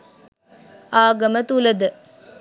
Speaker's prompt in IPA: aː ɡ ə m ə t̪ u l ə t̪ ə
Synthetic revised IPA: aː ɡ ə m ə t̪ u l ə d̪ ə